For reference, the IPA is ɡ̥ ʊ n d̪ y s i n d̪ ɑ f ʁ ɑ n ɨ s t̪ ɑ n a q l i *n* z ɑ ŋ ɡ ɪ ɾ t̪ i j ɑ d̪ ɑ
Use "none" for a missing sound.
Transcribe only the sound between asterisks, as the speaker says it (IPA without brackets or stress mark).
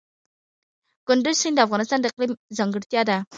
m